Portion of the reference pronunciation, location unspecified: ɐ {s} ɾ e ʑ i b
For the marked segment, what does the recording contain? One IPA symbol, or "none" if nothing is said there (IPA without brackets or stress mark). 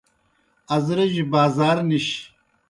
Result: z